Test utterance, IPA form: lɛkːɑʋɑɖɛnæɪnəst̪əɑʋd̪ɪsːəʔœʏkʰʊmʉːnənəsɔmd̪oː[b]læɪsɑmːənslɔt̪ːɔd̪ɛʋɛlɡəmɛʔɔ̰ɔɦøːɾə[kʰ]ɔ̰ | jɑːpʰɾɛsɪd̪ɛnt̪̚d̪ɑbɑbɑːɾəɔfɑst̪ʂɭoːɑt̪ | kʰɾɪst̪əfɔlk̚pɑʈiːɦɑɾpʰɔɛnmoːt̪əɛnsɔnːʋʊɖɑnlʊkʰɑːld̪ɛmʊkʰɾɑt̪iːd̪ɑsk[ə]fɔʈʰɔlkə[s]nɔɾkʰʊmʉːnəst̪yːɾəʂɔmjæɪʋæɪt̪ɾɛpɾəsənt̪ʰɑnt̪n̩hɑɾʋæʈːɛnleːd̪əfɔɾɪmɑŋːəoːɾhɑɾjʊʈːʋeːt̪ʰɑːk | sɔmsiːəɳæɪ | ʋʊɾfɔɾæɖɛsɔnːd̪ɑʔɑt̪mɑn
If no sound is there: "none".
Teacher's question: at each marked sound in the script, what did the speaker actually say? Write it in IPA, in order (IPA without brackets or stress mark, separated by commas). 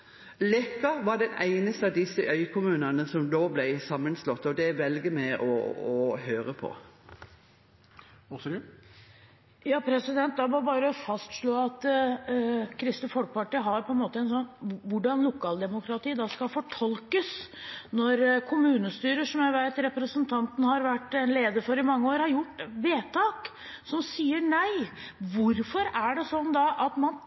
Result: b, pʰ, ɑ, s